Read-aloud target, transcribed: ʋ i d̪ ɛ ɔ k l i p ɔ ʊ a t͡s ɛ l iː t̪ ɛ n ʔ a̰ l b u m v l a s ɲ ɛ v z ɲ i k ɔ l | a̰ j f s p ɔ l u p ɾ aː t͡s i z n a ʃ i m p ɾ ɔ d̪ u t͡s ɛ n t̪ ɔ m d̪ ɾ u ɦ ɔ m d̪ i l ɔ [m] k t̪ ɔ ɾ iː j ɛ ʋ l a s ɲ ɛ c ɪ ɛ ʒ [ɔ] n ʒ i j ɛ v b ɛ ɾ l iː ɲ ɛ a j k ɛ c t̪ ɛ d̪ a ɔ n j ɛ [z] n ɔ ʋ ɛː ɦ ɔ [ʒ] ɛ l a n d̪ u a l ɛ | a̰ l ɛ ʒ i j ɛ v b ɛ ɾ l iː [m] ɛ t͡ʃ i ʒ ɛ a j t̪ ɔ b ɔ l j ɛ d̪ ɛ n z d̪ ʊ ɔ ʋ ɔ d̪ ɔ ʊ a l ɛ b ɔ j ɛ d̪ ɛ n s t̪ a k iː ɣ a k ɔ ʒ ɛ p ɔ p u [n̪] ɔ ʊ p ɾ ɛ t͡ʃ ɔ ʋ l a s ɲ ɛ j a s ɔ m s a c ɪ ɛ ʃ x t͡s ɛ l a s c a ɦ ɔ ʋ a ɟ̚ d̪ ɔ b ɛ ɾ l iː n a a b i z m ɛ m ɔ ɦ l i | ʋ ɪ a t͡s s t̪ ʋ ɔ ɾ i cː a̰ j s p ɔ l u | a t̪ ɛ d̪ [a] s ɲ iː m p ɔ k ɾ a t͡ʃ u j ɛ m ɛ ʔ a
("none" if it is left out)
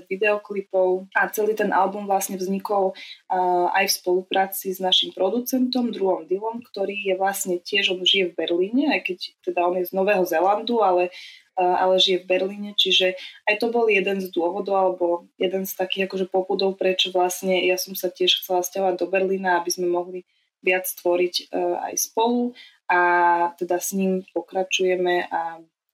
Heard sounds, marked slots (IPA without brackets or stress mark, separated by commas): m, ɔ, z, z, ɲ, d̪, a